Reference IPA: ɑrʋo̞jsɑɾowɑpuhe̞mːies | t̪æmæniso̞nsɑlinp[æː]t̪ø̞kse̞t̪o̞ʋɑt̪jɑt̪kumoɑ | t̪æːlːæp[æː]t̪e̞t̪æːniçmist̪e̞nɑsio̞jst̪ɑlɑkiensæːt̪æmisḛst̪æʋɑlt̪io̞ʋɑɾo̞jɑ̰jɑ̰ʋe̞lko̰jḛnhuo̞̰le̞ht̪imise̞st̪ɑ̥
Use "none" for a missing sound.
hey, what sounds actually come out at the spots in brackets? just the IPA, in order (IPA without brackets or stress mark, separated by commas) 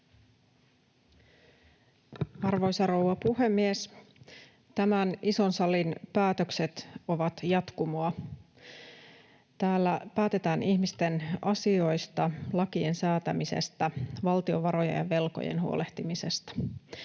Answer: æː, æː